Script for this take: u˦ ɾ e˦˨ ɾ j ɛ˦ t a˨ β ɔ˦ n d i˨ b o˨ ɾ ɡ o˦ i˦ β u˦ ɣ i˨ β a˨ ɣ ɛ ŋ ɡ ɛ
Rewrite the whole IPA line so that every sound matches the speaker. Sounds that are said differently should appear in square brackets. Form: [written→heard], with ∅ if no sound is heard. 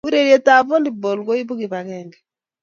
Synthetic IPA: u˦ ɾ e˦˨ ɾ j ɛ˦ t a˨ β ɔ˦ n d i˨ b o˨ [ɾ→l] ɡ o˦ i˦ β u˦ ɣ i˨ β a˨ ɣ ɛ ŋ ɡ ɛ